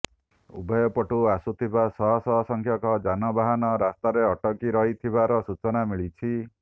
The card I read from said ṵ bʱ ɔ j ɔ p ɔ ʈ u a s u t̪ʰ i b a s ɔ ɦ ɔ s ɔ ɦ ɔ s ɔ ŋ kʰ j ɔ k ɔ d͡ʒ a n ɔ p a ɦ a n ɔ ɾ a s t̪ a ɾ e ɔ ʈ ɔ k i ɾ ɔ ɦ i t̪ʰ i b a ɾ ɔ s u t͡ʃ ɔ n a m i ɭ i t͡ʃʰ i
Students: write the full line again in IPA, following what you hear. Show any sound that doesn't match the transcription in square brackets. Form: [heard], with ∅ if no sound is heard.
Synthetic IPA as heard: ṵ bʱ ɔ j ɔ p ɔ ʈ u a s u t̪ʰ i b a s ɔ ɦ ɔ s ɔ ɦ ɔ s ɔ ŋ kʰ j ɔ k ɔ d͡ʒ a n ɔ [b] a ɦ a n ɔ ɾ a s t̪ a ɾ e ɔ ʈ ɔ k i ɾ ɔ ɦ i t̪ʰ i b a ɾ ɔ s u t͡ʃ ɔ n a m i ɭ i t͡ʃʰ i